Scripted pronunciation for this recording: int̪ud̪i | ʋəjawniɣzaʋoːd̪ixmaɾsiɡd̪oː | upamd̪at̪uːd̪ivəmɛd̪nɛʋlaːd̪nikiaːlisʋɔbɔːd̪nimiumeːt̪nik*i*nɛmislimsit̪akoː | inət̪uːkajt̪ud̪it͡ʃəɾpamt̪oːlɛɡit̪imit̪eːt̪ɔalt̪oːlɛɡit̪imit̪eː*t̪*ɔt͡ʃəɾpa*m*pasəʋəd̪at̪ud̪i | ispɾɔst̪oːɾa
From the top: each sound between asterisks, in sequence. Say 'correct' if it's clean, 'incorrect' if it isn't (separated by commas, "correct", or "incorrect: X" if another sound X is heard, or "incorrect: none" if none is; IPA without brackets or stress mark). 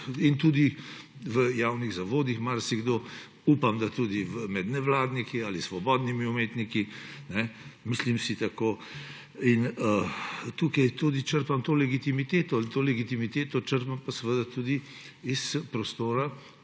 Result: correct, correct, correct